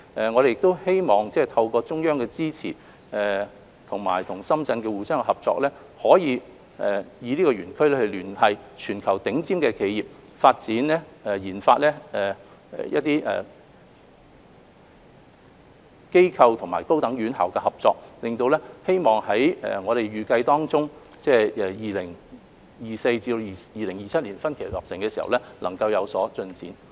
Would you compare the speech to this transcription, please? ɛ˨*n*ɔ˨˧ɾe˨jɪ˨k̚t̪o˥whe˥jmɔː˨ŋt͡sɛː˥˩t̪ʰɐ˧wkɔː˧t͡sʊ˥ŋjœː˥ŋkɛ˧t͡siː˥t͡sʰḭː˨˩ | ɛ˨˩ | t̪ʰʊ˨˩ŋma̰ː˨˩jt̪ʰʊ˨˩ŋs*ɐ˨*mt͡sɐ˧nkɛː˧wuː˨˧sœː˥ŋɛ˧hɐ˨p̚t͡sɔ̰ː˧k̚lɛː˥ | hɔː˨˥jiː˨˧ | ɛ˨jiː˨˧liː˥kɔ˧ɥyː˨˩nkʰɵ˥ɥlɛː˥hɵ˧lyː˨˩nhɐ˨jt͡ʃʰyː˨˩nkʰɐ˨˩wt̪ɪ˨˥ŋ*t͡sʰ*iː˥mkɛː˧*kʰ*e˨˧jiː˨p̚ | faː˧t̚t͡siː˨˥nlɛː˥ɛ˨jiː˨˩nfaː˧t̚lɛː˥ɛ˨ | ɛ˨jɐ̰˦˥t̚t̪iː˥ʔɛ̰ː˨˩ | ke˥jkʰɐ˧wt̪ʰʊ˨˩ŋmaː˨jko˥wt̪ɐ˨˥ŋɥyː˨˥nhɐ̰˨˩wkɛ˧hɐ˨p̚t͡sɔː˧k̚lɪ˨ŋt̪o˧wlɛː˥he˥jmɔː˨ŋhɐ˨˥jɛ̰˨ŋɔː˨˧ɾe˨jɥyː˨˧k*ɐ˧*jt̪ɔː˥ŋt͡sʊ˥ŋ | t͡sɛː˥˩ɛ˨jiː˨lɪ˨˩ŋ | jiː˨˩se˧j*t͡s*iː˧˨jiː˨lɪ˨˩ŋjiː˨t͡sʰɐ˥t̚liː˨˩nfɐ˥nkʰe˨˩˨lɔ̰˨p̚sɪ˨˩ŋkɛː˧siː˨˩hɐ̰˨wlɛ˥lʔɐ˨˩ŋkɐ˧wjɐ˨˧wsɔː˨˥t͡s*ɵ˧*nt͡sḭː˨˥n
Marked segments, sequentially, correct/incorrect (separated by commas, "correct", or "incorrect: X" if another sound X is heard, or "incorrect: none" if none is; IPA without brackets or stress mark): incorrect: ŋ, incorrect: ɐ˥, incorrect: t͡s, correct, correct, correct, correct